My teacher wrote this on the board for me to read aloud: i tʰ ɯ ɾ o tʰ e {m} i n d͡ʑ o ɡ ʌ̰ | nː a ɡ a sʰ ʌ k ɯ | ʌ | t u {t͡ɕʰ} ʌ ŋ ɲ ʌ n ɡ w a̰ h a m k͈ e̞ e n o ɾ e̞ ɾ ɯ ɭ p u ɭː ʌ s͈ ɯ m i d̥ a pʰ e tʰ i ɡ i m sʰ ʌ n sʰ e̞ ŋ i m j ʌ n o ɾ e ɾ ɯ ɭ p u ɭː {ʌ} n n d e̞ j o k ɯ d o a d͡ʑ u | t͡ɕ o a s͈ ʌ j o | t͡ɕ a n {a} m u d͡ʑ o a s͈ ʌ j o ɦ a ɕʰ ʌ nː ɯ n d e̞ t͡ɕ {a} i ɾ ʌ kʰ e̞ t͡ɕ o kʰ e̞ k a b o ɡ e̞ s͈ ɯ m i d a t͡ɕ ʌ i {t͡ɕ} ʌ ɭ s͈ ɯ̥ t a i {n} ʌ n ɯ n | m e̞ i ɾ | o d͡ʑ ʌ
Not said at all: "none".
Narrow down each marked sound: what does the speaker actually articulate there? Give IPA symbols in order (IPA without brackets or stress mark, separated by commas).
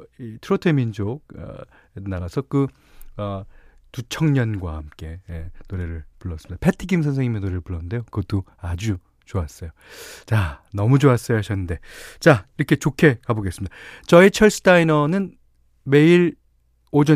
m, t͡ɕʰ, ʌ, ʌ, a, t͡ɕʰ, n